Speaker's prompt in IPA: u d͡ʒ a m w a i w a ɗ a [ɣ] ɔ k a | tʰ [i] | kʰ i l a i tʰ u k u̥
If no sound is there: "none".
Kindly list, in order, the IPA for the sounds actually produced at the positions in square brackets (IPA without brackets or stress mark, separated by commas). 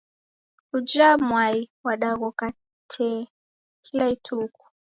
ɣ, ɛ